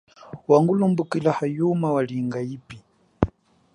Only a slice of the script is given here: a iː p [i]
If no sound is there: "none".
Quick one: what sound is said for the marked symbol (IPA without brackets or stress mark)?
i